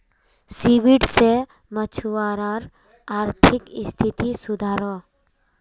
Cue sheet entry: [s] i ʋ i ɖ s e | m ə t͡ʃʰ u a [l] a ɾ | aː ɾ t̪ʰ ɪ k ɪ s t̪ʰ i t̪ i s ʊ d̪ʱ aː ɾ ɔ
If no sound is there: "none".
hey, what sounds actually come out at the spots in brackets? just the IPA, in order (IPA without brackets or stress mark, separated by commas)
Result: s, ɾ